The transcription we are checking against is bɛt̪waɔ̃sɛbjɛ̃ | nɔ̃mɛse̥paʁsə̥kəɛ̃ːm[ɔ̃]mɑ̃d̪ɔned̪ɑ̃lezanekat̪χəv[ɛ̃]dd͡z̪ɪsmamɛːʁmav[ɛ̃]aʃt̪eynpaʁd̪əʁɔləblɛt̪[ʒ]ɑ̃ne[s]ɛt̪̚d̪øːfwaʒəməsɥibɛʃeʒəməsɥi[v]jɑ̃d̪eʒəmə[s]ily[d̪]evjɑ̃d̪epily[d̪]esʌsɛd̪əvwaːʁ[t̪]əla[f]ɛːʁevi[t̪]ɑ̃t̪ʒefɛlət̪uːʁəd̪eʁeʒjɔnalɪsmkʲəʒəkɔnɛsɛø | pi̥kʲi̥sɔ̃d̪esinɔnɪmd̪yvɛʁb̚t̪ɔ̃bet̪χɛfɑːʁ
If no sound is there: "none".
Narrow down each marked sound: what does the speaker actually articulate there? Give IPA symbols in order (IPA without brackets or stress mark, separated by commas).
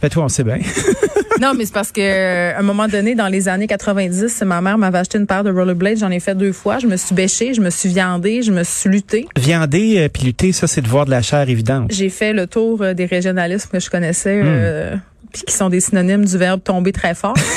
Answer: ɔ, ɛ̃, ɛ, ʒ, f, v, s, t̪, t̪, d̪, ʃ, d̪